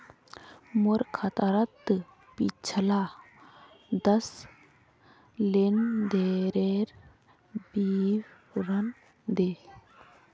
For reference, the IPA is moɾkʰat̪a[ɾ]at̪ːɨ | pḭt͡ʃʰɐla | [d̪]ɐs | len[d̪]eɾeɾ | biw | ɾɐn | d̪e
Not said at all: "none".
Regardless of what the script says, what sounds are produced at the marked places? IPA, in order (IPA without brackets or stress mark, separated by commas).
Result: ɾ, d̪, d̪